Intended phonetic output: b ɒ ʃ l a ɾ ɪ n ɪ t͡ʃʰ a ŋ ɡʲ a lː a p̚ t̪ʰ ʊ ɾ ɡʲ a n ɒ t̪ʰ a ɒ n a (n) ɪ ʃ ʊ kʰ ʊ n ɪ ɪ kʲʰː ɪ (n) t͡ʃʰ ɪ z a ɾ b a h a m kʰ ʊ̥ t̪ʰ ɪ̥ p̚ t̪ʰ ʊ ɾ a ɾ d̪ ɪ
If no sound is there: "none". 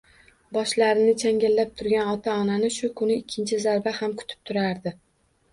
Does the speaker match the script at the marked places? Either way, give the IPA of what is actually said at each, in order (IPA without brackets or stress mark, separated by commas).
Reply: n, n